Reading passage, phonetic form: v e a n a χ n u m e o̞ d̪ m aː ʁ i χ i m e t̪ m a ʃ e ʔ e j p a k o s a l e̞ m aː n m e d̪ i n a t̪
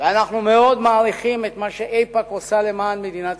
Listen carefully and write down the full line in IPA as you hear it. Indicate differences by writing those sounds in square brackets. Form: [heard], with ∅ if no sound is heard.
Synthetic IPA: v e a n a χ n u m e o̞ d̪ m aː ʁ i χ i m e t̪ m a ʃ e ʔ e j p a k o s a l e̞ m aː n m e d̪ i n a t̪